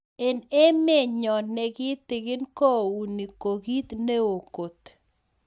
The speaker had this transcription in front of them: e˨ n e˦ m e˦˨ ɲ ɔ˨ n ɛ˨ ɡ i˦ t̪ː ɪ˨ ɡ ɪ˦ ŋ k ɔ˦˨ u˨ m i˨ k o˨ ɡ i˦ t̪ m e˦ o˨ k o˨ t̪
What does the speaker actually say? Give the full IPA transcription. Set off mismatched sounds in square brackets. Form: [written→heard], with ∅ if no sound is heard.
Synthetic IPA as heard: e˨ n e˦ m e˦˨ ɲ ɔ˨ n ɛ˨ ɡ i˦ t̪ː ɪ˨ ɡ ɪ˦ [ŋ→n] k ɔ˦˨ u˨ [m→n] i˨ k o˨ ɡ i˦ t̪ [m→n] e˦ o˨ k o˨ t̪